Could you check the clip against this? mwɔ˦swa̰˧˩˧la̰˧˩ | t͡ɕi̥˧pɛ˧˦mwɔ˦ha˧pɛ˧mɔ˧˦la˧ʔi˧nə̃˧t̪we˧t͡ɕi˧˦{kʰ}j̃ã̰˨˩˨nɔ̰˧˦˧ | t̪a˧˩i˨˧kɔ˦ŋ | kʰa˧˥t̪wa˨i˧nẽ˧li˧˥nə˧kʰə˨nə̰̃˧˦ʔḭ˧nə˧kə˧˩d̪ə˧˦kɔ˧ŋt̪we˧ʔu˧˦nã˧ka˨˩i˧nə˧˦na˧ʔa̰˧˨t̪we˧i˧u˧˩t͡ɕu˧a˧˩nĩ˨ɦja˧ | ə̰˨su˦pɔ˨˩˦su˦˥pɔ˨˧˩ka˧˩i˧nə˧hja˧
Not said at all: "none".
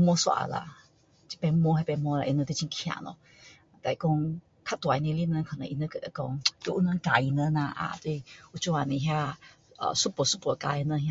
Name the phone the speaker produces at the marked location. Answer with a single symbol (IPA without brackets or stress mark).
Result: kʰ